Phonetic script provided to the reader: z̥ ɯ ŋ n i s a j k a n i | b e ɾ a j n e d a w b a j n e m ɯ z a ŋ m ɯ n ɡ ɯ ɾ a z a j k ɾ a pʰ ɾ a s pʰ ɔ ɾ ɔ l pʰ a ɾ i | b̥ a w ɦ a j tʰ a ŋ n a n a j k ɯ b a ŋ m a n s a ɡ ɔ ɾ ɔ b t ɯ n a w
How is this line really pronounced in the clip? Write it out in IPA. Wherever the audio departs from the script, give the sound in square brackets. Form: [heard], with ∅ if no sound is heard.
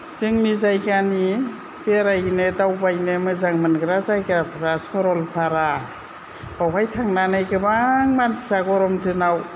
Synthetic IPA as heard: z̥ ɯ ŋ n i [z] a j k a n i | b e ɾ a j n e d a w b a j n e m ɯ z a ŋ m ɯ n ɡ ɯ ɾ a z a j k ɾ a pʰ ɾ a s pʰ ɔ ɾ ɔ l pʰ a ɾ [a] | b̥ a w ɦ a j tʰ a ŋ n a n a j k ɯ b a ŋ m a n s a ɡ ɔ ɾ ɔ [m] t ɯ n a w